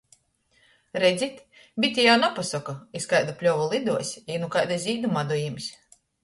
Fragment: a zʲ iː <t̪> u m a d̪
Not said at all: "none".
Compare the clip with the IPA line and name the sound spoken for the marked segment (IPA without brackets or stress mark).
d̪